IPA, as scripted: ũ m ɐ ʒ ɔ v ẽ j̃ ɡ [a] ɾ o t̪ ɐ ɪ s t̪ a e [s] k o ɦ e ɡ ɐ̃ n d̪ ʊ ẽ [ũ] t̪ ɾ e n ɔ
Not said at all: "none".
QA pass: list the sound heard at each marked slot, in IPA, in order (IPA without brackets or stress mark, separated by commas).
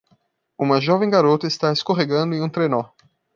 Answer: a, s, ũ